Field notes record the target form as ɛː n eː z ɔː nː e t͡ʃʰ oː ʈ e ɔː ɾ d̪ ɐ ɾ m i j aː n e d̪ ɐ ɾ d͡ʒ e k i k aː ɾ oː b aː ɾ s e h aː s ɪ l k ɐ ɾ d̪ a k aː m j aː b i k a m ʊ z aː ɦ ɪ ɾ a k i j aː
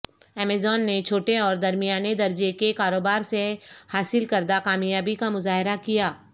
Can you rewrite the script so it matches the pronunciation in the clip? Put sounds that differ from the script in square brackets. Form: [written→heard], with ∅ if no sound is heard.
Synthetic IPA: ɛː [n→m] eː z ɔː nː e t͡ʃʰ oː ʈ e ɔː ɾ d̪ ɐ ɾ m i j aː n e d̪ ɐ ɾ d͡ʒ e k [i→e] k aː ɾ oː b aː ɾ s e h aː s ɪ l k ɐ ɾ d̪ a k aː m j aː b i k a m ʊ z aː ɦ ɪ ɾ a k i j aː